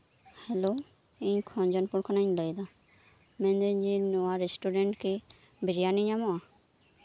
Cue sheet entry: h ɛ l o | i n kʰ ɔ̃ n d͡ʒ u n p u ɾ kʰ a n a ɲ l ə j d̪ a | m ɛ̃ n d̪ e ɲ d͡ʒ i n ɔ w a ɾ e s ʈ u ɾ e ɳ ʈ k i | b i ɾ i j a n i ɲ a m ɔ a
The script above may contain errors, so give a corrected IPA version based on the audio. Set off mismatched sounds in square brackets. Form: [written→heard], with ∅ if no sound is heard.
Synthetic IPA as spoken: h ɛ l o | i [n→ɲ] kʰ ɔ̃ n d͡ʒ [u→ɔ] n p u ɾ kʰ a n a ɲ l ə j d̪ a | m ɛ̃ n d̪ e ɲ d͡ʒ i n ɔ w a ɾ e s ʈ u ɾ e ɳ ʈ k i | b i ɾ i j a n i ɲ a m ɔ a